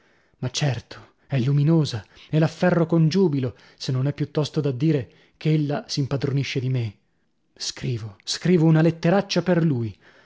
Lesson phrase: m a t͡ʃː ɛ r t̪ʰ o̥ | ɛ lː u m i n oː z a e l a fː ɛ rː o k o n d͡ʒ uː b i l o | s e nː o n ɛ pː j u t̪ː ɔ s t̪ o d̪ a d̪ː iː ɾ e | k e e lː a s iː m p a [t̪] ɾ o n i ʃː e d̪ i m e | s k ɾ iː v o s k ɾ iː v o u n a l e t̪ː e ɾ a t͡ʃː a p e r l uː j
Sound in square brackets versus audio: incorrect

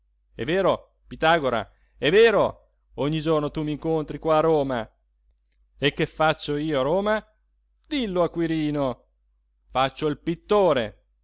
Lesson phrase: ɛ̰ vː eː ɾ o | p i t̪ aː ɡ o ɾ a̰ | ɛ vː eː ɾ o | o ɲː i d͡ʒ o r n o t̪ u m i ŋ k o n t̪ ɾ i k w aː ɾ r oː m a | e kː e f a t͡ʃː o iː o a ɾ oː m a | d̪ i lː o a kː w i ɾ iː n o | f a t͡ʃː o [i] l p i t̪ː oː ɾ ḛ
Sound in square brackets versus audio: correct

